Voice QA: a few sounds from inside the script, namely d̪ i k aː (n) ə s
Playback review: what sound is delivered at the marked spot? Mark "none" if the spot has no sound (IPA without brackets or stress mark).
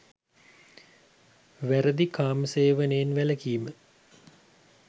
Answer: m